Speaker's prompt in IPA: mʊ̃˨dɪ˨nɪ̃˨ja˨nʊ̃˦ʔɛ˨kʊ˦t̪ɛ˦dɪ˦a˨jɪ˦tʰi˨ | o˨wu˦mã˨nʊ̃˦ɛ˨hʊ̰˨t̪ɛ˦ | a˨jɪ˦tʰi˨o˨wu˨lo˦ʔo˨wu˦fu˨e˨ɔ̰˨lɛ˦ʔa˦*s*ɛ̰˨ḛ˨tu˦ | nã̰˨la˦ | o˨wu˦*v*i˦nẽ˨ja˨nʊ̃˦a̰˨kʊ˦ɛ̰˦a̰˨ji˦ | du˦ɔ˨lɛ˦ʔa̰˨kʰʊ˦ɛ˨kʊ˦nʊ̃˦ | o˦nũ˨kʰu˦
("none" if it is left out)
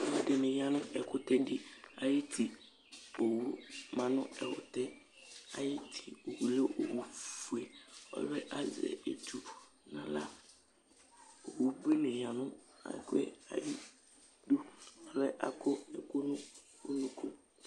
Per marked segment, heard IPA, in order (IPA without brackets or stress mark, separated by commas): z, b